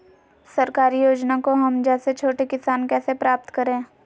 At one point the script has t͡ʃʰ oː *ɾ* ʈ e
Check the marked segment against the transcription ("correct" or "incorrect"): incorrect